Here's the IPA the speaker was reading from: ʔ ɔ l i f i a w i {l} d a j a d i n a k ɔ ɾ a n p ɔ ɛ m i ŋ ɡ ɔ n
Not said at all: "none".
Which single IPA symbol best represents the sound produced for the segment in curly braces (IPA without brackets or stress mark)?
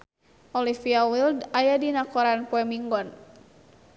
l